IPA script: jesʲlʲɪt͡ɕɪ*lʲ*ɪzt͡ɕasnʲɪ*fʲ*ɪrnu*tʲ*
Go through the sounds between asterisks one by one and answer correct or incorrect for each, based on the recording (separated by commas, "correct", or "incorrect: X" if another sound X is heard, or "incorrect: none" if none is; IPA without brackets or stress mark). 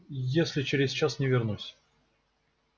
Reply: incorrect: ɾʲ, incorrect: vʲ, incorrect: sʲ